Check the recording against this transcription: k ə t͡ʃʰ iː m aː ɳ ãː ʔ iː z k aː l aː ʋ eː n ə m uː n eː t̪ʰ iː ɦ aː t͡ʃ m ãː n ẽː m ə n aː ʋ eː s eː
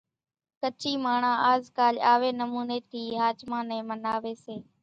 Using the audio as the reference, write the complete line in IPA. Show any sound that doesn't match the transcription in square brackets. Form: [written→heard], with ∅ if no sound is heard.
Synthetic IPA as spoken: k ə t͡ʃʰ iː m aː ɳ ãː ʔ [iː→aː] z k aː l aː ʋ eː n ə m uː n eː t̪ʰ iː ɦ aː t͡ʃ m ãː n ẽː m ə n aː ʋ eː s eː